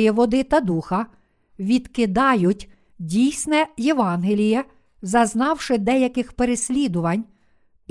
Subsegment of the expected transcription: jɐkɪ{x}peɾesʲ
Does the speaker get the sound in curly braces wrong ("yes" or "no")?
no